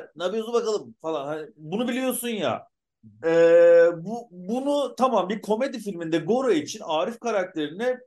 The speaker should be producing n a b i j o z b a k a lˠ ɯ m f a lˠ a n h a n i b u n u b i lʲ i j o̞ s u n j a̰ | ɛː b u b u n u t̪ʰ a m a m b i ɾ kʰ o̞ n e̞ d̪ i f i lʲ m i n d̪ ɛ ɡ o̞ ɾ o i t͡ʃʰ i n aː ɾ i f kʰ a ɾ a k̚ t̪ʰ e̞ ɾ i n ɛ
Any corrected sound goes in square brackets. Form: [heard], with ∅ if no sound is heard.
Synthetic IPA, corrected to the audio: n a b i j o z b a k a lˠ ɯ m f a lˠ a n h a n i b u n u b i lʲ i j o̞ s u n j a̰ | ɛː b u b u n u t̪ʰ a m a m b i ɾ kʰ o̞ [m] e̞ d̪ i f i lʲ m i n d̪ ɛ ɡ o̞ ɾ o i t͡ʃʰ i n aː ɾ i f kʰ a ɾ a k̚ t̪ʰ e̞ ɾ i n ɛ